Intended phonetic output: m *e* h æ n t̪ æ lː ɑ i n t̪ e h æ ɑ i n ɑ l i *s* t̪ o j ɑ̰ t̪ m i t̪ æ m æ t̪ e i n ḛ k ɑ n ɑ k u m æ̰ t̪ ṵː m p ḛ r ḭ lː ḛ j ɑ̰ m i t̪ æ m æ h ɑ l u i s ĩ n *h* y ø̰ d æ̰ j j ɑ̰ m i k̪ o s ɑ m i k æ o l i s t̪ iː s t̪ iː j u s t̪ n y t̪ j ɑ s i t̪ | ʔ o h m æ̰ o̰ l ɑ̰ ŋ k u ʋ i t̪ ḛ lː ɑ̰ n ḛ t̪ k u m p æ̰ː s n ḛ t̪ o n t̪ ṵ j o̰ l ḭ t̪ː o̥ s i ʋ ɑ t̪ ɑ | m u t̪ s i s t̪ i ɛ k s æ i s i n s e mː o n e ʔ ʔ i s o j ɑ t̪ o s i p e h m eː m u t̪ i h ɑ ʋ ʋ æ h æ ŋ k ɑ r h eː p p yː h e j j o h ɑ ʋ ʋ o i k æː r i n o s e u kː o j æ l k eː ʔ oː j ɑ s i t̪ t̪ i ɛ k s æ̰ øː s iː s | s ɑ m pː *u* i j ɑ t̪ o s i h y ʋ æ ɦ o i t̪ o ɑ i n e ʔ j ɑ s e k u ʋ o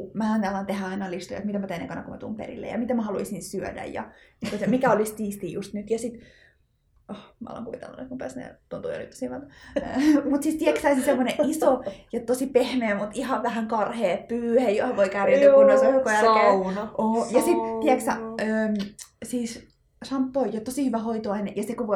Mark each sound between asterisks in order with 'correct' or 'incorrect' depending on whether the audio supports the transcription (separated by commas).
incorrect, correct, incorrect, incorrect